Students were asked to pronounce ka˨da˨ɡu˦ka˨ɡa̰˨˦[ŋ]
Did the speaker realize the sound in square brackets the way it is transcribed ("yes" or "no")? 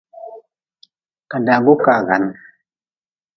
no